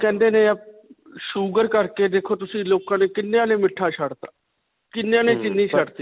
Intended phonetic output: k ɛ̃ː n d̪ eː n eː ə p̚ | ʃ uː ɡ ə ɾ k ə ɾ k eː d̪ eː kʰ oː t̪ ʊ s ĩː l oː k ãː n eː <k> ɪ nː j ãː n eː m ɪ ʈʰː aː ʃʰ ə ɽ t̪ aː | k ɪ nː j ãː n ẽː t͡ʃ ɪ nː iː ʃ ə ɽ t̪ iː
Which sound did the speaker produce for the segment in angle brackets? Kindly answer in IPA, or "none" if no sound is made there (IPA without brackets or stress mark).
k